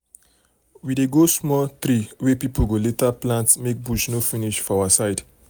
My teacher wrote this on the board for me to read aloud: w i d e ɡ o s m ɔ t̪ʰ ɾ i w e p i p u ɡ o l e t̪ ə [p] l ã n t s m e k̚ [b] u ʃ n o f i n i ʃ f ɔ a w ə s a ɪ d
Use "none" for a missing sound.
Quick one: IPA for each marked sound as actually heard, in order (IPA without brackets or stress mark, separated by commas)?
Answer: p, b